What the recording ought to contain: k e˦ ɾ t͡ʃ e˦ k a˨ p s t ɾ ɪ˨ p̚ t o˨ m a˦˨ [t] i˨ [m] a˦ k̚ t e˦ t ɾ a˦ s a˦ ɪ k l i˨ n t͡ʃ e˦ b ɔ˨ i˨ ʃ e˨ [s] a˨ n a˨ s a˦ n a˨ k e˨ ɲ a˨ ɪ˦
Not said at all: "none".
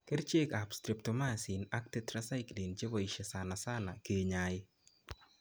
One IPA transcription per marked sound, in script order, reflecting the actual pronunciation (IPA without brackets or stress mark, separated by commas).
s, n, s